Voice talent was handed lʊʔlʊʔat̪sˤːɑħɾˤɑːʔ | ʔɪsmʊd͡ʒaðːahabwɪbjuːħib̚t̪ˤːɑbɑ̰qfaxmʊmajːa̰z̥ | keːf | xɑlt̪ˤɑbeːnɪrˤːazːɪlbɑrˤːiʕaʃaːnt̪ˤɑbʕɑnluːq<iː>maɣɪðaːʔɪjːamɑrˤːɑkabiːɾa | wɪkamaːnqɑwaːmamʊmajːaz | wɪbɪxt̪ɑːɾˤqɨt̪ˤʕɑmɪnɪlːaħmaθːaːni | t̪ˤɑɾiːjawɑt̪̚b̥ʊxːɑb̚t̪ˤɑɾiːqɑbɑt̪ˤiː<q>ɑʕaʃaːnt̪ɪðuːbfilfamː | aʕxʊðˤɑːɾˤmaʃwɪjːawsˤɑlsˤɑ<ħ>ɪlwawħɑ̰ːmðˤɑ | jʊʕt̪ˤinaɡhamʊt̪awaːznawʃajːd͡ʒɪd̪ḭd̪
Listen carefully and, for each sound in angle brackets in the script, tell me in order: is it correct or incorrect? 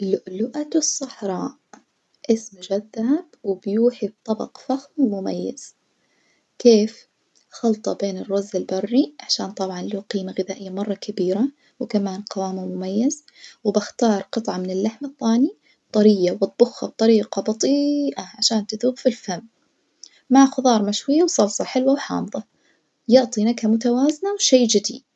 correct, incorrect, correct

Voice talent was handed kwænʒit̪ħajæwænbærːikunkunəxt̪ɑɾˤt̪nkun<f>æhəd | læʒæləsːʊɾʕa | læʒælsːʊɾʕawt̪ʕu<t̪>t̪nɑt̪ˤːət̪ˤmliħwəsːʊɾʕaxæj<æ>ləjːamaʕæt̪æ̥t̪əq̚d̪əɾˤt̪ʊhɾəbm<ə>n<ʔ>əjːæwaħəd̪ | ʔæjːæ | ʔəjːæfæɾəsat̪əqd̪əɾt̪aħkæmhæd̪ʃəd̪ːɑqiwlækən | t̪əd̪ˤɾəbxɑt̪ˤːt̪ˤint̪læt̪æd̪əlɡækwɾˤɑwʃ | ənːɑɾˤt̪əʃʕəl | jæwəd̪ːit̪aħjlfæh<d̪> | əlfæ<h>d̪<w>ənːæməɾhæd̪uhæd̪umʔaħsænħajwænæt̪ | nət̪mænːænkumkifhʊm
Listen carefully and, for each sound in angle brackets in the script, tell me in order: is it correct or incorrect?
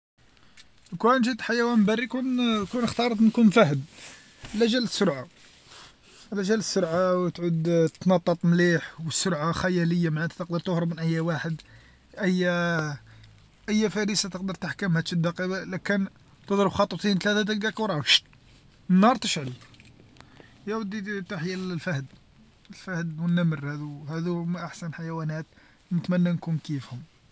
correct, incorrect, correct, correct, correct, correct, correct, correct

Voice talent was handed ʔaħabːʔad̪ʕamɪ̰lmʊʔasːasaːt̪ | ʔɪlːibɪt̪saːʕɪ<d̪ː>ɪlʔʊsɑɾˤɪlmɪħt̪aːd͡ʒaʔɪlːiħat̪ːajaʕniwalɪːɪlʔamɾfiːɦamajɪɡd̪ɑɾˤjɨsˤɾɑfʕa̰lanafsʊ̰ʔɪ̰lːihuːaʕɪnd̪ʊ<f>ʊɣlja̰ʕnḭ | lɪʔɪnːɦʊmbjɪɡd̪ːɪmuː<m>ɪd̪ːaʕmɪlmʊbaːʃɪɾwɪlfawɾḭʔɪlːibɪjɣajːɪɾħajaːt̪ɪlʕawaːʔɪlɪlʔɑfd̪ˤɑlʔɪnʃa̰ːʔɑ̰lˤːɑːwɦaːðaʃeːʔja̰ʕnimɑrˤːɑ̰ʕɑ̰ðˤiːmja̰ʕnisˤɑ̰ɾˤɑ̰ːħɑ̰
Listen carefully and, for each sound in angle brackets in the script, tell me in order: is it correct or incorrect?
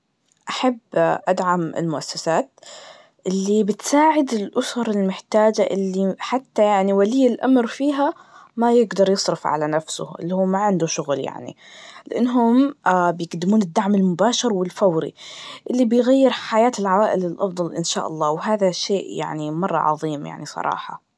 incorrect, incorrect, incorrect

